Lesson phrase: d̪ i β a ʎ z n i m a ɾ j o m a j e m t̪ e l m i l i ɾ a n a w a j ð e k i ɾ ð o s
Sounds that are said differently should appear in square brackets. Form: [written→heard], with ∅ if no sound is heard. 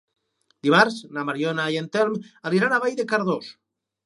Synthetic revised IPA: d̪ i β a [ʎ→ɾ] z n [i→a] m a ɾ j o [m→n] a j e [m→n] t̪ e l m [i→a] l i ɾ a n a [w→β] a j ð e k [i→a] ɾ ð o s